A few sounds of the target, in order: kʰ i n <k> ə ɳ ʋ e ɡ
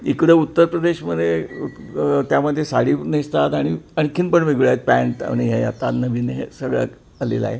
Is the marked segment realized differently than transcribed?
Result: yes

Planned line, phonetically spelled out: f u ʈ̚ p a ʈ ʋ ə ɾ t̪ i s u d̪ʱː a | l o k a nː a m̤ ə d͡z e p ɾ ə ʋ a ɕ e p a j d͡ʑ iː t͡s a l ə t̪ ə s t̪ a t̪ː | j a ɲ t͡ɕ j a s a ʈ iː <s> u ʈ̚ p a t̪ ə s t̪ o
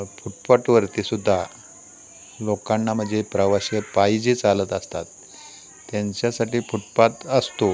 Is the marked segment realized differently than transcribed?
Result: yes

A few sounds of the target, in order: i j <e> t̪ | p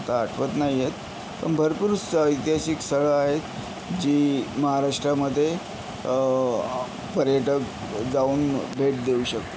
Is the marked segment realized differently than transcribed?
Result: no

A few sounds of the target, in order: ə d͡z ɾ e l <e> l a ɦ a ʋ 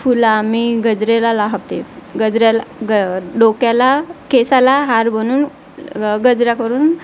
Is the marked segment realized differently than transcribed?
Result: yes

